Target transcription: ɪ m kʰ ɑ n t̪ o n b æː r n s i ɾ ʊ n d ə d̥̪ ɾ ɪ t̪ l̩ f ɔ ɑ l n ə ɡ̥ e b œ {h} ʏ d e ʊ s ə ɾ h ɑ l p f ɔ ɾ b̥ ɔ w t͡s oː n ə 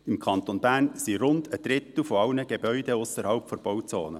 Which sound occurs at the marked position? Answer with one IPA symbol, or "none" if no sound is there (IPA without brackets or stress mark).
none